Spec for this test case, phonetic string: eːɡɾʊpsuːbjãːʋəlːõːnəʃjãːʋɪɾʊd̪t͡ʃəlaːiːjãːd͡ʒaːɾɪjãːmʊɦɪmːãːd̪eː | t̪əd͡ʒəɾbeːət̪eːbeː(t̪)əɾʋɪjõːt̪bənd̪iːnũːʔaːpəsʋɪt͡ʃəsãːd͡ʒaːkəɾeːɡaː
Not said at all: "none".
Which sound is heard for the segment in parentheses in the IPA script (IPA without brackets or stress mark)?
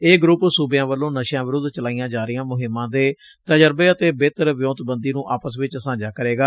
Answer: t̪